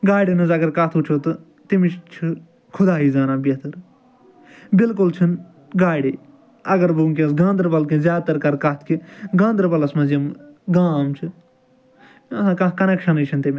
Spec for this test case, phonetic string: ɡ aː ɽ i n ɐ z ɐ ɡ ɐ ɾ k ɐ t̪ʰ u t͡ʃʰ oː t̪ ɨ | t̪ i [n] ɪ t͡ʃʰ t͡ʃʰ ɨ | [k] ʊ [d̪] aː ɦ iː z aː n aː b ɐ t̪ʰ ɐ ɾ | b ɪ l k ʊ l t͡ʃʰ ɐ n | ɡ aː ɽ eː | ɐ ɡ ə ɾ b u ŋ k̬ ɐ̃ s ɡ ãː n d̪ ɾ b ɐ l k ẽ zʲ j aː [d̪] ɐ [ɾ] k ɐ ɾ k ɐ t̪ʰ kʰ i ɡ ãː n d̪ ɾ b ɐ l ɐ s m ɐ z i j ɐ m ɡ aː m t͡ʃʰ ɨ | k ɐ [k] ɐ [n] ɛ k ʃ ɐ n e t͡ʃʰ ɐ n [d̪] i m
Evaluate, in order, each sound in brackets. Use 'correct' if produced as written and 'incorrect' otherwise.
incorrect: m, incorrect: kʰ, correct, incorrect: t̪, correct, correct, correct, incorrect: t̪

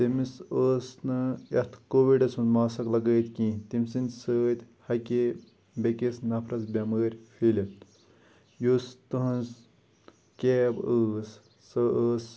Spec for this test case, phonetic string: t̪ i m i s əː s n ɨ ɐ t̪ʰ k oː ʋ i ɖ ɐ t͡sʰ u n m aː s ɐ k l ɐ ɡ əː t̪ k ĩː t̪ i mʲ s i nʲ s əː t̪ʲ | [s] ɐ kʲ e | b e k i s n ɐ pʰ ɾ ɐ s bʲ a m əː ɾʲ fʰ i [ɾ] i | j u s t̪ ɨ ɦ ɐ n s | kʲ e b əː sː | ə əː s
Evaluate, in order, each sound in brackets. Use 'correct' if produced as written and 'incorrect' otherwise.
incorrect: h, incorrect: l

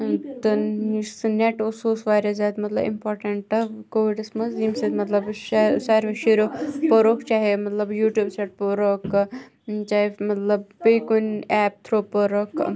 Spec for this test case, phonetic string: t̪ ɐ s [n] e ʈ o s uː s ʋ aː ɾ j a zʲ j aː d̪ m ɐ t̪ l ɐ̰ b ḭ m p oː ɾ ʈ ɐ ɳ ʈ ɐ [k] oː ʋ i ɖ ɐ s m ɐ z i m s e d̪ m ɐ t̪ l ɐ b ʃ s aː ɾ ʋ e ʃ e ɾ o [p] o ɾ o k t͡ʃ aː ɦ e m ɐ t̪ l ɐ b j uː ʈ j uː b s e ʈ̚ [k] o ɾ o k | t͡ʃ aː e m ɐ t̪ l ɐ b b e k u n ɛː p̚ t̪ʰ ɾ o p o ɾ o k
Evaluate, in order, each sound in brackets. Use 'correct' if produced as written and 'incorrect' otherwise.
correct, correct, correct, incorrect: p

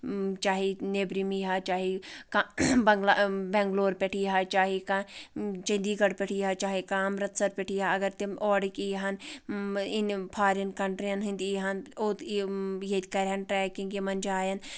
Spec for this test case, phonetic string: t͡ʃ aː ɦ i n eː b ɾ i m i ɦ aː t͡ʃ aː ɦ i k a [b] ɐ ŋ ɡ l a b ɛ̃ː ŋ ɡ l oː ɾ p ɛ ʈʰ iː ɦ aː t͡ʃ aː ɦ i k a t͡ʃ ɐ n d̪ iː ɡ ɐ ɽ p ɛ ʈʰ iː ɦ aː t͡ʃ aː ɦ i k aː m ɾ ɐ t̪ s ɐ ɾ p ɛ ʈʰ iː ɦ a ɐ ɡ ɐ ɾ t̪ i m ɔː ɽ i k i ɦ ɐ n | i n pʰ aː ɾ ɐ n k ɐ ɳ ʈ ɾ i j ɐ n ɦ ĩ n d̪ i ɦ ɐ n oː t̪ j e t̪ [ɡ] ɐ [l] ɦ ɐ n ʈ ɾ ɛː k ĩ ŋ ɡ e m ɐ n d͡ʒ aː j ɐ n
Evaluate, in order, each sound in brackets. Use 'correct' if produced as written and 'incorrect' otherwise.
correct, incorrect: k, incorrect: ɾ

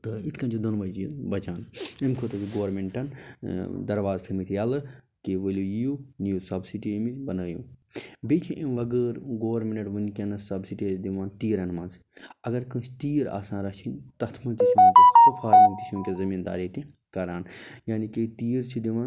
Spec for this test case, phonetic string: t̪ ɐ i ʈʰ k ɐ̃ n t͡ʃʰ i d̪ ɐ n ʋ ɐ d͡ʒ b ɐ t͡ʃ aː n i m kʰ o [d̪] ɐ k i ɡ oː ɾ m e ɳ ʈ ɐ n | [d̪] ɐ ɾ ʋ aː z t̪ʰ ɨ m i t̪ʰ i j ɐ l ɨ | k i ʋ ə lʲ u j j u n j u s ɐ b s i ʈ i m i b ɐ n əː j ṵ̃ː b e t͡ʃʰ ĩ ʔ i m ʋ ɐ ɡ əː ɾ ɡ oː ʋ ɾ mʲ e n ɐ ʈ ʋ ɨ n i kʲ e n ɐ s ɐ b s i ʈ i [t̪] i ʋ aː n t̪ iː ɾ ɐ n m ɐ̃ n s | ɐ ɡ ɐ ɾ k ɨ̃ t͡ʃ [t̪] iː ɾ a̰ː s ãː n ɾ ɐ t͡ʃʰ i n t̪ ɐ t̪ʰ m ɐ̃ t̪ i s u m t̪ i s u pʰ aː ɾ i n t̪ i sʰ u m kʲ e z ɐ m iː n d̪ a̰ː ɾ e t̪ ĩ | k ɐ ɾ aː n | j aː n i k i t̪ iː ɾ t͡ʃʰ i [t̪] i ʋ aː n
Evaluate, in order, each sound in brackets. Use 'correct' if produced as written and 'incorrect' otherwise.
incorrect: t̪, correct, incorrect: d̪, correct, incorrect: d̪

